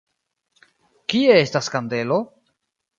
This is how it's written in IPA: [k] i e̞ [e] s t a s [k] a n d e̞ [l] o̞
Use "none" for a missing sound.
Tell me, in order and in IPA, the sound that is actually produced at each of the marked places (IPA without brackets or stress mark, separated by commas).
k, e, k, l